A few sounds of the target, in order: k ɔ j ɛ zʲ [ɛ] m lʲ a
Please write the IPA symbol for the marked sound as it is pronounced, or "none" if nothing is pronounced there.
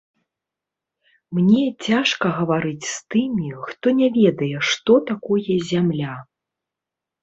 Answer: a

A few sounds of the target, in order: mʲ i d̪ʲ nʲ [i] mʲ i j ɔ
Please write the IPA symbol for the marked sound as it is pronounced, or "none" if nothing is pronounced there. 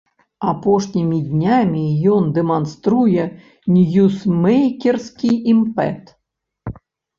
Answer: a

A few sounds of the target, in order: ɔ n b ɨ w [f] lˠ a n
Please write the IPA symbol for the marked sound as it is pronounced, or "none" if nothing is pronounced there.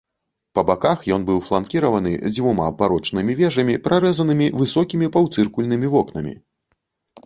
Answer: f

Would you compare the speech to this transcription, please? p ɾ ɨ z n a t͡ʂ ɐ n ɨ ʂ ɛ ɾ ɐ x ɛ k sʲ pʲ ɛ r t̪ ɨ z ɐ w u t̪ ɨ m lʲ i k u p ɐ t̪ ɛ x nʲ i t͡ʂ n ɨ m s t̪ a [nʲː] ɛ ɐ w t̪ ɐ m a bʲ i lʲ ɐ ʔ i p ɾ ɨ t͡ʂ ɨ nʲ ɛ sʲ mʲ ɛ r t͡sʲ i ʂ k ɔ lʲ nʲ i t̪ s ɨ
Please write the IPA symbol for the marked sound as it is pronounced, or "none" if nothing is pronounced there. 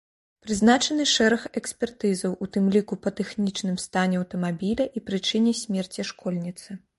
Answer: nʲ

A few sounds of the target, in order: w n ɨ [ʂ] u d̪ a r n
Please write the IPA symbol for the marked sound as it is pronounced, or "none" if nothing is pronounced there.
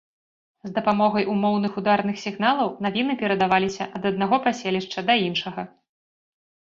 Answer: x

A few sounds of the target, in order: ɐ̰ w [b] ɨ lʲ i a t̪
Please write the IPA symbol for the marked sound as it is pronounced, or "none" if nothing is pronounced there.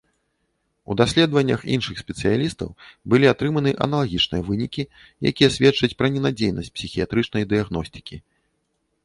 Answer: b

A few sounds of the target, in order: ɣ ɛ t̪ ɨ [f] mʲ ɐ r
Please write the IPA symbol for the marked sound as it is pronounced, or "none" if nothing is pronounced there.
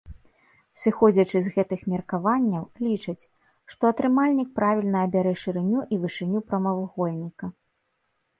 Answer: x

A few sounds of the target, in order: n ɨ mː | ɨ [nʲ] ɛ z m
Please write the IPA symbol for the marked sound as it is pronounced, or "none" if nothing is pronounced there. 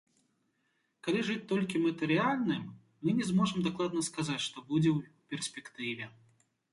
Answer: nʲ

